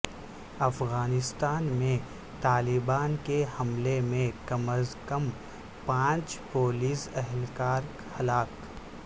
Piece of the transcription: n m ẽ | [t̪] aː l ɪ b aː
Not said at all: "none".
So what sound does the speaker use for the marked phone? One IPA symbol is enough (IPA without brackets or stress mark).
t̪